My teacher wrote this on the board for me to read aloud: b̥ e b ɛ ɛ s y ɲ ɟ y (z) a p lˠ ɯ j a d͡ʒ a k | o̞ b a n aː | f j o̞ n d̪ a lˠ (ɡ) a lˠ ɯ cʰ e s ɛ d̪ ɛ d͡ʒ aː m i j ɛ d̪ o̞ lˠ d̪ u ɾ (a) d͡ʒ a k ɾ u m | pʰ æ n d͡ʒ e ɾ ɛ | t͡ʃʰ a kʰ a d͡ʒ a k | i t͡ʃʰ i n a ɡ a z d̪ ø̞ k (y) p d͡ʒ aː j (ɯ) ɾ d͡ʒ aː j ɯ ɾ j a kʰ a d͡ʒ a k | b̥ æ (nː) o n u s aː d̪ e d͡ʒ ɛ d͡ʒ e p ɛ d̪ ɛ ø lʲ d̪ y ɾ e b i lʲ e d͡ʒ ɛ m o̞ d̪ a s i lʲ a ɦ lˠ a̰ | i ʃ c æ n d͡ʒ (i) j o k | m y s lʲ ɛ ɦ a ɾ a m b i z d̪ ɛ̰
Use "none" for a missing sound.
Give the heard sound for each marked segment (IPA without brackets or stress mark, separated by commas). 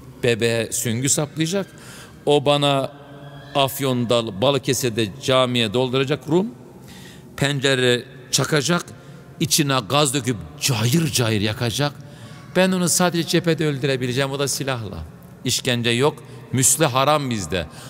s, b, a, y, ɯ, n, ɛ